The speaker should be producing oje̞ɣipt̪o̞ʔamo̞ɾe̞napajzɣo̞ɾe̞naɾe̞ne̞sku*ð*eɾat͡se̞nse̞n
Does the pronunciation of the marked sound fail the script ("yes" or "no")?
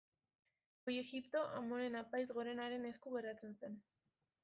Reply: yes